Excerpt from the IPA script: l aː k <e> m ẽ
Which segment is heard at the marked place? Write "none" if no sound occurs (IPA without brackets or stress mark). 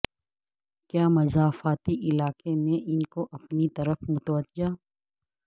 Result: e